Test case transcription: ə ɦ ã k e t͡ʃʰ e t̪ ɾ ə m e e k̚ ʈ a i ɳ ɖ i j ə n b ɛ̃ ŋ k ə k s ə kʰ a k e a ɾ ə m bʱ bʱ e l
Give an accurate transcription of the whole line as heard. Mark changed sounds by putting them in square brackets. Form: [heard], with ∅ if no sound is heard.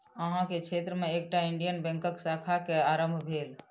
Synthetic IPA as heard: ə ɦ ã k e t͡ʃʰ e t̪ ɾ ə m e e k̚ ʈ a i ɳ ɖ i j ə n b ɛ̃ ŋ k ə k s [a] kʰ a k e a ɾ ə m bʱ bʱ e l